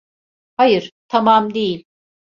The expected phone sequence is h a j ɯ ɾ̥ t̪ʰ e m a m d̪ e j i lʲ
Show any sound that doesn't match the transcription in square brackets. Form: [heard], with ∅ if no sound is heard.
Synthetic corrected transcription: h a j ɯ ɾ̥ t̪ʰ [a] m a m d̪ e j i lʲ